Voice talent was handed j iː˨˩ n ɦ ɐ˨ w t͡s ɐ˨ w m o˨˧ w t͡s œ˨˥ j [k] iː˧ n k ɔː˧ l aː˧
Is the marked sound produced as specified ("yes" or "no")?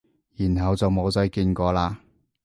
yes